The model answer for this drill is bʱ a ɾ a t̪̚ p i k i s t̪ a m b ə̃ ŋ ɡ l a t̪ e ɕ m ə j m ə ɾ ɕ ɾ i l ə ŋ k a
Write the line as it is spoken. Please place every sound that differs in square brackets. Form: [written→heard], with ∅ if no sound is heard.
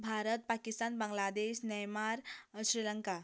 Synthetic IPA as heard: bʱ a ɾ [a→ə] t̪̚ p [i→a] k i s t̪ a [m→n] b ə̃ ŋ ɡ l a [t̪→d̪] e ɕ [m→n] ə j m [ə→a] ɾ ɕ ɾ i l ə ŋ k a

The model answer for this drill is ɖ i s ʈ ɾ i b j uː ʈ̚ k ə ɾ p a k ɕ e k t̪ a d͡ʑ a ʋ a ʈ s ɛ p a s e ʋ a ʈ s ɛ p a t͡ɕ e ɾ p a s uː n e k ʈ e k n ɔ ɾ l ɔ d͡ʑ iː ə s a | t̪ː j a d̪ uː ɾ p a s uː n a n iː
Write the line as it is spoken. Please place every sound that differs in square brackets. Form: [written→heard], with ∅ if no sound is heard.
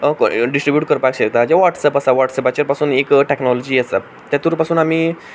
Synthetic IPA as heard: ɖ i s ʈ ɾ i b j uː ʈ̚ k ə ɾ p a k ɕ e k t̪ a d͡ʑ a ʋ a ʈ s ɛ p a s [e→a] ʋ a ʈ s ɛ p a t͡ɕ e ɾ p a s uː n e k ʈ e k n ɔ [ɾ→∅] l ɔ d͡ʑ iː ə s a | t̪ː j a [d̪→t̪] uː ɾ p a s uː n a [n→m] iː

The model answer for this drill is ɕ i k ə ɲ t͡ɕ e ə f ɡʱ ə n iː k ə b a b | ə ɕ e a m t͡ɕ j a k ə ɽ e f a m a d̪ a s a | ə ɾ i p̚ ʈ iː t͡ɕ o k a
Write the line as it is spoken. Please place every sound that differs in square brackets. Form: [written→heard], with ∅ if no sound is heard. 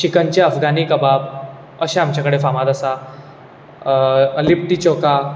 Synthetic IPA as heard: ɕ i k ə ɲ t͡ɕ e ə f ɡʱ [ə→a] n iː k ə b a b | ə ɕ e a m t͡ɕ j a k ə ɽ e f a m a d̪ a s a | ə [ɾ→l] i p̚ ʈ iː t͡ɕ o k a

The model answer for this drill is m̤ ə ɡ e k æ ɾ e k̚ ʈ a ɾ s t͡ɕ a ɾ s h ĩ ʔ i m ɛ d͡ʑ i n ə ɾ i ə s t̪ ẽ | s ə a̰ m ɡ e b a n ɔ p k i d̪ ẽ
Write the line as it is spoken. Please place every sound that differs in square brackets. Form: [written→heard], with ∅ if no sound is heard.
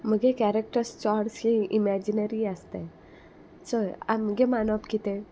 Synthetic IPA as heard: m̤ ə ɡ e k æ ɾ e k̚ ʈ [a→ə] ɾ s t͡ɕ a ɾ s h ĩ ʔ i m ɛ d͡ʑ i n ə ɾ i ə s t̪ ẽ | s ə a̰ m ɡ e [b→m] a n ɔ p k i [d̪→t̪] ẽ

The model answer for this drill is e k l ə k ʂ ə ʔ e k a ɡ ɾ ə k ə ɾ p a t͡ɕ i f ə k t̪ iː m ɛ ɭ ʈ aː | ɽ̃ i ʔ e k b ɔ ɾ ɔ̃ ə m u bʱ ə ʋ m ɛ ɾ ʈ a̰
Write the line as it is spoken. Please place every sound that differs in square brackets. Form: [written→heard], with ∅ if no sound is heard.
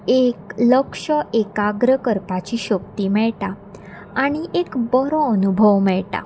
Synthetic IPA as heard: e k l ə k ʂ ə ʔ e k a ɡ ɾ ə k ə ɾ p a t͡ɕ i [f→ɕ] ə k t̪ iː m ɛ ɭ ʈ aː | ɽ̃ i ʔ e k b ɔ ɾ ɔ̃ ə [m→n] u bʱ ə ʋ m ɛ [ɾ→ɭ] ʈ a̰

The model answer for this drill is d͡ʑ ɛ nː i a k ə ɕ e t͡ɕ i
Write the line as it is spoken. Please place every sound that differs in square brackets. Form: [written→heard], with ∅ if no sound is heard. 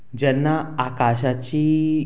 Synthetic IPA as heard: d͡ʑ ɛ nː [i→a] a k [ə→a] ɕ [e→a] t͡ɕ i

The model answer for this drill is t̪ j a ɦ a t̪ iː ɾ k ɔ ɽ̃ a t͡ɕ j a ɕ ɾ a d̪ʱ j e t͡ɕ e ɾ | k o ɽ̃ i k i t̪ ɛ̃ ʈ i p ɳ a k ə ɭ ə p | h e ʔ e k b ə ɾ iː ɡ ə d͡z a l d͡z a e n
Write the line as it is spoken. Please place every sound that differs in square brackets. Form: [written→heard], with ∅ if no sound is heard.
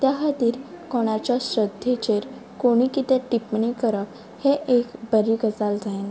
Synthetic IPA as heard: t̪ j a ɦ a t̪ iː ɾ k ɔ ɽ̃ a t͡ɕ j a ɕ ɾ [a→ə] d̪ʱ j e t͡ɕ e ɾ | k o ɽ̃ i k i t̪ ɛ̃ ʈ i p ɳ [a→i] k ə [ɭ→ɾ] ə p | h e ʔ e k b ə ɾ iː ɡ ə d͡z a l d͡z a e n

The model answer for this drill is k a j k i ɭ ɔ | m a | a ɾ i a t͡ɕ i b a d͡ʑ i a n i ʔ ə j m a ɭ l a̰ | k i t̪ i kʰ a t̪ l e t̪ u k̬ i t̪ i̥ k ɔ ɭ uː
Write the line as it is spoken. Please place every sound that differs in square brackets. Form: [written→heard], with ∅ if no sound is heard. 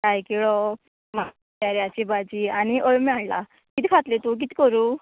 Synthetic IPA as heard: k a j k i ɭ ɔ | m a | a ɾ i a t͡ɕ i b a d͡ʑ i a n i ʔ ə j m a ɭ l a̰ | k i t̪ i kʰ a t̪ l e t̪ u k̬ i t̪ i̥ k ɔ [ɭ→ɾ] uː

